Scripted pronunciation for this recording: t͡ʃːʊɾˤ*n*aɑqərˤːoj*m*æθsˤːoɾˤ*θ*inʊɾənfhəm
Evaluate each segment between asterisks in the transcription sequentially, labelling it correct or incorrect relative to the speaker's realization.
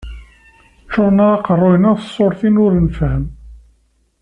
correct, incorrect, correct

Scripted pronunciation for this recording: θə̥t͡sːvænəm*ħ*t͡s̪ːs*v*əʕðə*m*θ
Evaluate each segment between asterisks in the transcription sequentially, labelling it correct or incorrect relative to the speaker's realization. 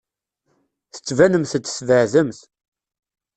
incorrect, correct, correct

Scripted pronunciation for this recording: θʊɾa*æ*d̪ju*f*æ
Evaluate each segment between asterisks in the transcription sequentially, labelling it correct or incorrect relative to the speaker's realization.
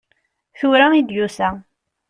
incorrect, incorrect

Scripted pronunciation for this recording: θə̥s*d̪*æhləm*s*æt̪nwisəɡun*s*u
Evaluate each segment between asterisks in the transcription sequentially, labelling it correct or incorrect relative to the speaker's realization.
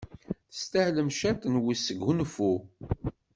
incorrect, incorrect, incorrect

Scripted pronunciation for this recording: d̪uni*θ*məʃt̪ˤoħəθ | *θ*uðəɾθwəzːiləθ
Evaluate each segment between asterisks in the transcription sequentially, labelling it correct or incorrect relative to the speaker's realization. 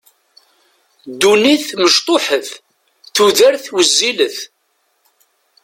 correct, correct

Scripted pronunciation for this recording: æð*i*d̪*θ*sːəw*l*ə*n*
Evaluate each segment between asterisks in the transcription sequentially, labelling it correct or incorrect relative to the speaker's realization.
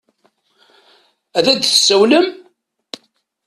incorrect, correct, correct, incorrect

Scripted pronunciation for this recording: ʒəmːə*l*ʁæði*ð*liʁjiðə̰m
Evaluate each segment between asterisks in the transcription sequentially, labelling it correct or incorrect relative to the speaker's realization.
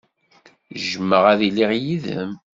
incorrect, incorrect

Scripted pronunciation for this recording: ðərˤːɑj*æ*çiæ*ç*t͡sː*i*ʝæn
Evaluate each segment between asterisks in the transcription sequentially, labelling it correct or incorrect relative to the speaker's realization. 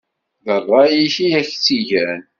incorrect, correct, correct

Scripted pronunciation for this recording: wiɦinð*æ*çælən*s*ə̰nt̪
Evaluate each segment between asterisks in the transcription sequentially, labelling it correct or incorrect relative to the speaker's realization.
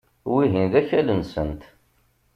correct, correct

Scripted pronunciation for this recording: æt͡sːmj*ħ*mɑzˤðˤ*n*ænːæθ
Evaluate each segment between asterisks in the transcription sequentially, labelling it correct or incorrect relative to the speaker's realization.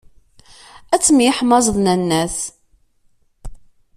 correct, correct

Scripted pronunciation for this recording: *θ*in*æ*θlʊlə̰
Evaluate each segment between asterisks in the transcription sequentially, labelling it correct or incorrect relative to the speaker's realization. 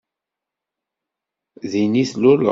incorrect, incorrect

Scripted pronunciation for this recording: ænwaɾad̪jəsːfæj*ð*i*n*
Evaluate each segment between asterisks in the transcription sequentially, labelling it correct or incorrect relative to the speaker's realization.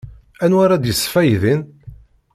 correct, correct

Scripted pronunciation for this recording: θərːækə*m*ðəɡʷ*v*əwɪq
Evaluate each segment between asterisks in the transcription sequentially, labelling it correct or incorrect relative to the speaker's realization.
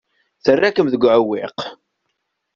correct, incorrect

